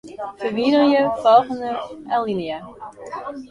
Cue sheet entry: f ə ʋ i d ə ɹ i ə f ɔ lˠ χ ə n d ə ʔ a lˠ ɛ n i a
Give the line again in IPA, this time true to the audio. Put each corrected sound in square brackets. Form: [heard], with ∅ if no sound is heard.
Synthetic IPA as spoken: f ə ʋ i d ə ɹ [j] ə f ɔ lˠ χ ə n d ə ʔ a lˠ [i] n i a